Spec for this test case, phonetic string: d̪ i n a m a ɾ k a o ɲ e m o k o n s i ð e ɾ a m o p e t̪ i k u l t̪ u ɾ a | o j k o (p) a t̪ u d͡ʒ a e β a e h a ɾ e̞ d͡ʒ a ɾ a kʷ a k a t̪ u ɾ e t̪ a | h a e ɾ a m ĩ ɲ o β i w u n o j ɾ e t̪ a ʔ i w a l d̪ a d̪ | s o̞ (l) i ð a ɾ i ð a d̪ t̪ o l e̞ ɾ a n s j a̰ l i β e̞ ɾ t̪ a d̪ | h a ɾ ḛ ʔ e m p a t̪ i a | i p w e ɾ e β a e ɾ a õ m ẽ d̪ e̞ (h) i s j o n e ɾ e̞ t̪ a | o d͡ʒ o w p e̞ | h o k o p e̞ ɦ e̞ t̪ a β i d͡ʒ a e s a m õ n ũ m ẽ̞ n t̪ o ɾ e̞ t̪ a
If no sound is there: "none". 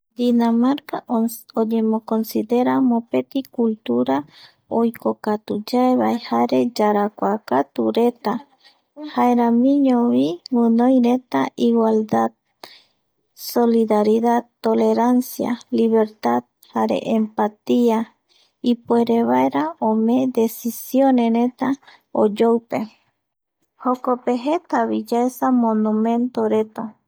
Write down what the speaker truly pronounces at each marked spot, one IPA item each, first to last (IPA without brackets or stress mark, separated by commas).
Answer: k, l, s